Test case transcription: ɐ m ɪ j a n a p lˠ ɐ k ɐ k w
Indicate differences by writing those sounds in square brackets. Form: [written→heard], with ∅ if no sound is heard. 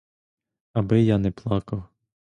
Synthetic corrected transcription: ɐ [m→b] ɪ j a n [a→ɛ] p lˠ [ɐ→ɑ] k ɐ [k→∅] w